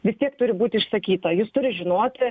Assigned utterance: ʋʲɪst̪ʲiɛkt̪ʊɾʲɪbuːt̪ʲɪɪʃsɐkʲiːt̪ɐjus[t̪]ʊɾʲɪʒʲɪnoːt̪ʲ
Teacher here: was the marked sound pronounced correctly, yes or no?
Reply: yes